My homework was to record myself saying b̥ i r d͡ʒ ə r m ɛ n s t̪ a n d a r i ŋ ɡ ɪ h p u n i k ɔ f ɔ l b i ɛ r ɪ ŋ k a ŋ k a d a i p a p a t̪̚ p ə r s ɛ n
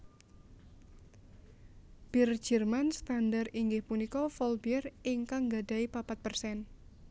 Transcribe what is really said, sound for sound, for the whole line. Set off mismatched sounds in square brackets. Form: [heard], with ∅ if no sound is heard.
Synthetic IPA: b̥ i r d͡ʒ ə r m [a] n s t̪ a n d a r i ŋ ɡ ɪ h p u n i k ɔ f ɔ l b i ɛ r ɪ ŋ k a ŋ [ɡ] a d a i p a p a t̪̚ p ə r s ɛ n